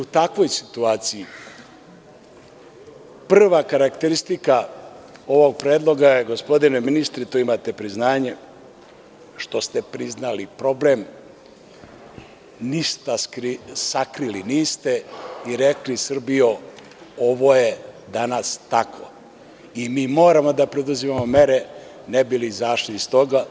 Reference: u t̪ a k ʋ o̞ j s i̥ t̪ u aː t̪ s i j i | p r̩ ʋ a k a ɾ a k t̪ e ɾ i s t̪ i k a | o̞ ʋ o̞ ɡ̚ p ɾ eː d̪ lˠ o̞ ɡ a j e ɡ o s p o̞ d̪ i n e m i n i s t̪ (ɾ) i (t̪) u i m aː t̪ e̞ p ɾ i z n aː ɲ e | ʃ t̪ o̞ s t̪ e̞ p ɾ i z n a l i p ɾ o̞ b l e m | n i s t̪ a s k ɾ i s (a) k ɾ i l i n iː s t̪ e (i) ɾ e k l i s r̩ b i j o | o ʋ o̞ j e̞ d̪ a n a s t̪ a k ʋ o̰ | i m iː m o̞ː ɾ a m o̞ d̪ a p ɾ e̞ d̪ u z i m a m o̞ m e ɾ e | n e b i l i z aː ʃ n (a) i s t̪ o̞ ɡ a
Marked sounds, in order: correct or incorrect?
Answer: correct, correct, correct, correct, incorrect: i

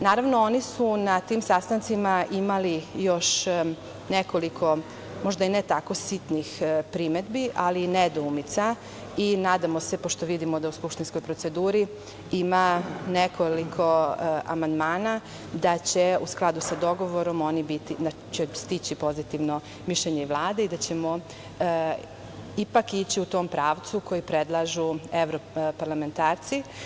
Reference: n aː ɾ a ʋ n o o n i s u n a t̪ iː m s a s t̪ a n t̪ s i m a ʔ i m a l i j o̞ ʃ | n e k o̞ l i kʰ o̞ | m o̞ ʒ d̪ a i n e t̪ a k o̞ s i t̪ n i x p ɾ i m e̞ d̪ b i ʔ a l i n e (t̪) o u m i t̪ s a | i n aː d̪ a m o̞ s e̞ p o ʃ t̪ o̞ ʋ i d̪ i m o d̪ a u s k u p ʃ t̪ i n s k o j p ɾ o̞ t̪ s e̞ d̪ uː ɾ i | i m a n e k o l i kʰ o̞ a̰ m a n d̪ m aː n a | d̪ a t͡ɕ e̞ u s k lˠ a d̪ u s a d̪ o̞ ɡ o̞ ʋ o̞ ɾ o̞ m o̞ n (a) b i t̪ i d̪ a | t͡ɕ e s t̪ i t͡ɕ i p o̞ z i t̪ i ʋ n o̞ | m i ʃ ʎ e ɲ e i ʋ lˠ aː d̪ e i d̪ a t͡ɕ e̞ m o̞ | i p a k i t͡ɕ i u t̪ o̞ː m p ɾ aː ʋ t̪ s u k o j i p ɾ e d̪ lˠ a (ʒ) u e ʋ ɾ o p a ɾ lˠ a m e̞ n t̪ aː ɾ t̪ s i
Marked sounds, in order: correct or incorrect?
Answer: incorrect: d̪, incorrect: i, correct

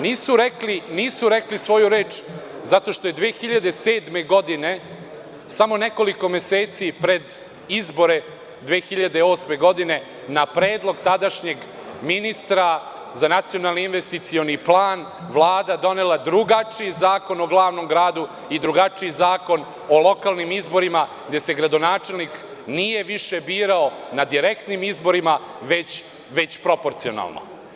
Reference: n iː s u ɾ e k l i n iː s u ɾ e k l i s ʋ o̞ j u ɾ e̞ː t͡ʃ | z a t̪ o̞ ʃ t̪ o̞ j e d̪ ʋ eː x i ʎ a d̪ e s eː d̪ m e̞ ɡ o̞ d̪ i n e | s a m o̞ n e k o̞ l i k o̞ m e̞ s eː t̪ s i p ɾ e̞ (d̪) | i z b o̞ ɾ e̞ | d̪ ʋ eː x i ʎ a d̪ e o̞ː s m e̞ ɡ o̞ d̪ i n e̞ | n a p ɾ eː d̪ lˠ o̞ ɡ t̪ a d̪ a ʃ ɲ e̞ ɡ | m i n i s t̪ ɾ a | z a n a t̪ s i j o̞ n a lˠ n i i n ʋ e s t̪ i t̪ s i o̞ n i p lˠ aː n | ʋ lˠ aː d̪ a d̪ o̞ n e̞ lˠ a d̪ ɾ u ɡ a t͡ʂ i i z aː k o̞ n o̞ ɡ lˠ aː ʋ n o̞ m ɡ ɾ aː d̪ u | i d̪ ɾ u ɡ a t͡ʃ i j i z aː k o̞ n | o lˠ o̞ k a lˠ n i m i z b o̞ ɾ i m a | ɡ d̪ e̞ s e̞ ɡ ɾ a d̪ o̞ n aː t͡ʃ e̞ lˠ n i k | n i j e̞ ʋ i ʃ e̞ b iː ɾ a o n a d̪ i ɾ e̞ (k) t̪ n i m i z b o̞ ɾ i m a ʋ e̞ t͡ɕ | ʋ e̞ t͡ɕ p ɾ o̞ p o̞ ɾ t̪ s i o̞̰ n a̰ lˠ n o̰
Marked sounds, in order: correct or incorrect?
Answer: correct, correct

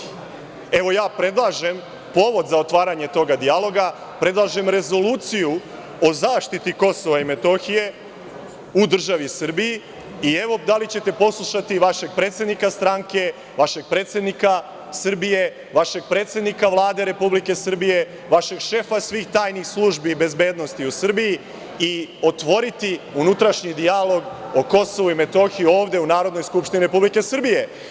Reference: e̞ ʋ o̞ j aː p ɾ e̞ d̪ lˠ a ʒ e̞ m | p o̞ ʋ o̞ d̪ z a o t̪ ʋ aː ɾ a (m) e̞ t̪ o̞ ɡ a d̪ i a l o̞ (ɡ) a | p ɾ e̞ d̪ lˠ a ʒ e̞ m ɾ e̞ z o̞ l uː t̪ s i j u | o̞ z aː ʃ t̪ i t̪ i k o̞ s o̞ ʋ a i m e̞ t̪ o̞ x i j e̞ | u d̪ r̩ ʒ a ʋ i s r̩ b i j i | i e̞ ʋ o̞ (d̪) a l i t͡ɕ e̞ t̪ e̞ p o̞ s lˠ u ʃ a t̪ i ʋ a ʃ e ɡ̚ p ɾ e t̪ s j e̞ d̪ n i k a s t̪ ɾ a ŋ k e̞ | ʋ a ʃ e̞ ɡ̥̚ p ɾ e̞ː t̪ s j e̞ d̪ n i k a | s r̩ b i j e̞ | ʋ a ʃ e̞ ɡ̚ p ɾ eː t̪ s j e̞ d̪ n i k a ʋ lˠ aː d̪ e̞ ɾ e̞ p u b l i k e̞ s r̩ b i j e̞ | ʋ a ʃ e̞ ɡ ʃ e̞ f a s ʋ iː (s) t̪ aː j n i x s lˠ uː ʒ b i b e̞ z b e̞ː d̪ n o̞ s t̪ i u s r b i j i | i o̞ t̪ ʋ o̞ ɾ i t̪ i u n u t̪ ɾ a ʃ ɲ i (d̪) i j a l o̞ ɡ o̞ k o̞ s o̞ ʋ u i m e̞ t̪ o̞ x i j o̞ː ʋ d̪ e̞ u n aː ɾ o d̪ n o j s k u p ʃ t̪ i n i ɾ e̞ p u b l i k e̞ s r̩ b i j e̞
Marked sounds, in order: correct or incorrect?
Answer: incorrect: ɲ, correct, correct, incorrect: x, correct

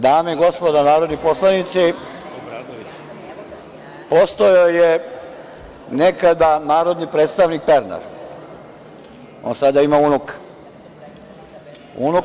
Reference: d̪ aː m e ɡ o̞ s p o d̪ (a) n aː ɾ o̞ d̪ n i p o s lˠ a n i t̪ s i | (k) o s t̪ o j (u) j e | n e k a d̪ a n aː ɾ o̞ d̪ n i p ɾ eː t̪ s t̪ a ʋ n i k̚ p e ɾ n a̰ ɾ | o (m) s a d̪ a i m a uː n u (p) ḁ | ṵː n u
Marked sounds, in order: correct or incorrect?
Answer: correct, incorrect: p, incorrect: o, incorrect: n, incorrect: k

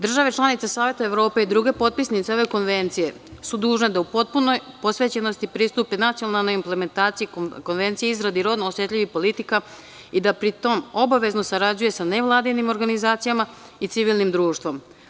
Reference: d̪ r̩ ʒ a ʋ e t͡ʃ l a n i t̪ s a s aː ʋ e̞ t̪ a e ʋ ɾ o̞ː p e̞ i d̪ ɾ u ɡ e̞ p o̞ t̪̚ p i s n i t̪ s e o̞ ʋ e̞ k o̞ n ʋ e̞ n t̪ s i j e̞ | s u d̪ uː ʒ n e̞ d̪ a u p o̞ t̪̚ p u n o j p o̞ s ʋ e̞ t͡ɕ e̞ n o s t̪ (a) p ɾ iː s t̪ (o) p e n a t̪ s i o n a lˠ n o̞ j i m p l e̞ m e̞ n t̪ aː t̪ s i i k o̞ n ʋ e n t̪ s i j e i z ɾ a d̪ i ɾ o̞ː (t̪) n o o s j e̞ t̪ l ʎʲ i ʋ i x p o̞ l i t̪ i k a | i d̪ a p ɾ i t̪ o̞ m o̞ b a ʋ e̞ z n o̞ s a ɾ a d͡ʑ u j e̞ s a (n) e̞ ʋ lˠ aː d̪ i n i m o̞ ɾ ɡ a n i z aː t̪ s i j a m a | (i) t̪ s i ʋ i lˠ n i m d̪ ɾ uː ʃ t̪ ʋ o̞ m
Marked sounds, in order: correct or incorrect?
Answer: incorrect: i, incorrect: u, incorrect: d̪, correct, correct

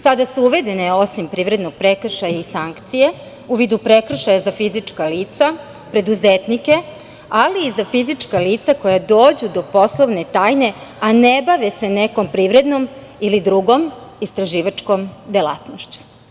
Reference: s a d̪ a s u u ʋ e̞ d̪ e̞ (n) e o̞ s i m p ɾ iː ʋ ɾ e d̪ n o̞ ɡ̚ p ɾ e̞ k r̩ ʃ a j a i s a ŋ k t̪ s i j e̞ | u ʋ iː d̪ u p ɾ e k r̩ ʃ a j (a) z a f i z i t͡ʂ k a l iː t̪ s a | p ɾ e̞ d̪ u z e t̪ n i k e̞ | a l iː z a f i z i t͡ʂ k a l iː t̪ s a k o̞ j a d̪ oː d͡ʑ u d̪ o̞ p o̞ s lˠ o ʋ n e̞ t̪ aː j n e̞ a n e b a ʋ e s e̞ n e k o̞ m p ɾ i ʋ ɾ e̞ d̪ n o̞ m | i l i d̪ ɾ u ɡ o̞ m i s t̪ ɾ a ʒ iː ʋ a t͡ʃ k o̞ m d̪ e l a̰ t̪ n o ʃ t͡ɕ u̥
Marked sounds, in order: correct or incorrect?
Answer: correct, correct

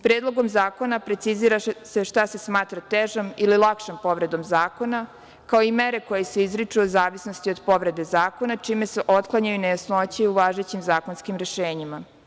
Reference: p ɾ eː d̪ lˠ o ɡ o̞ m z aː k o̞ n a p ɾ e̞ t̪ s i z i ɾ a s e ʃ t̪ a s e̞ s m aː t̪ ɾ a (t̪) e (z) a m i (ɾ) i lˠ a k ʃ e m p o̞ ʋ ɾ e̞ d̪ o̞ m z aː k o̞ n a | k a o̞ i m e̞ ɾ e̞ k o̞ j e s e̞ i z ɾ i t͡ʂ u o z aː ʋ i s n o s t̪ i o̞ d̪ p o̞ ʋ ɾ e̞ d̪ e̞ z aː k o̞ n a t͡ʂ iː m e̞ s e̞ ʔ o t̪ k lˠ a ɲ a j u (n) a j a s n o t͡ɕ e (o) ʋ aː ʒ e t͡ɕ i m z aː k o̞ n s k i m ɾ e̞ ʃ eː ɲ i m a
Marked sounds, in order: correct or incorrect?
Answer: correct, incorrect: ʒ, incorrect: l, correct, incorrect: u

